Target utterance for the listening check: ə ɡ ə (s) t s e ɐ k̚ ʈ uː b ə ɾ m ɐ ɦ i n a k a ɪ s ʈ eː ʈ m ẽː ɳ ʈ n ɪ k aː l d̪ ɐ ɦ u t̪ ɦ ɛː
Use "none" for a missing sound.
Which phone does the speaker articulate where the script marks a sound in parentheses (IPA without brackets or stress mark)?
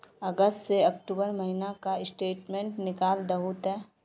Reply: s